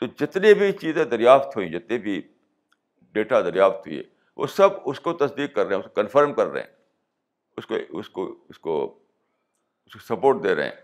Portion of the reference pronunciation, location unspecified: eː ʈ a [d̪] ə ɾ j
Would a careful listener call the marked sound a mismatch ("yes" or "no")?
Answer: no